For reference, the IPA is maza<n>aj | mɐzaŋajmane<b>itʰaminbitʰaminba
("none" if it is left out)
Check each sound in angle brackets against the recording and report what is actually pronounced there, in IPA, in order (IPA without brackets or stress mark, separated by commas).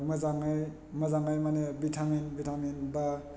ŋ, b